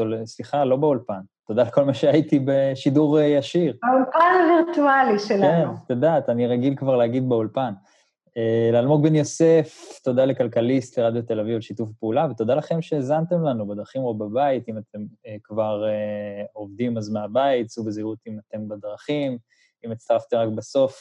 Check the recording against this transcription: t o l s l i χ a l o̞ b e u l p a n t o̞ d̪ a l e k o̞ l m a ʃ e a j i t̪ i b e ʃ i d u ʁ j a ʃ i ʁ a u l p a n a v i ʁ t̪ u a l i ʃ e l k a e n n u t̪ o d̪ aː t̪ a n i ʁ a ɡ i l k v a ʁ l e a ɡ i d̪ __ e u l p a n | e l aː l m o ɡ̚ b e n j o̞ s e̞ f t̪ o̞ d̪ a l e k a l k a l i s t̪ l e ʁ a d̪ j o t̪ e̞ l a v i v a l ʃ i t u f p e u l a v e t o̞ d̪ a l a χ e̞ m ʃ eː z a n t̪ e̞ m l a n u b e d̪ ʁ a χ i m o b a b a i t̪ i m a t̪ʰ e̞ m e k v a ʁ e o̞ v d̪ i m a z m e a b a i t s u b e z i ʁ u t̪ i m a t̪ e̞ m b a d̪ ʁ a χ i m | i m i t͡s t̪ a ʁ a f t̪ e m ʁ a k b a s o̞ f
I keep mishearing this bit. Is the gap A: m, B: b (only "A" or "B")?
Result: B